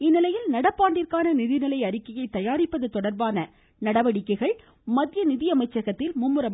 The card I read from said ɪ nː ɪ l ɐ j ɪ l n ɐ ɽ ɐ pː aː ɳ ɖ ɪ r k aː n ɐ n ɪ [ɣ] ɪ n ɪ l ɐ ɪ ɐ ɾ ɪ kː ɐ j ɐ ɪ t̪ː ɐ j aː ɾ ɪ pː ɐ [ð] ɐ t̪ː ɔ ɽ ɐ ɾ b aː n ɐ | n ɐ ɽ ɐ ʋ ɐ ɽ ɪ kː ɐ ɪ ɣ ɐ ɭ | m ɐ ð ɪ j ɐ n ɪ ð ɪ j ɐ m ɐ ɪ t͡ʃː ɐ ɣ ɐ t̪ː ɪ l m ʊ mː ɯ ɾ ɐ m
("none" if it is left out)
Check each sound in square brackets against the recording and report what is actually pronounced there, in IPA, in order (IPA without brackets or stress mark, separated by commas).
ð, ð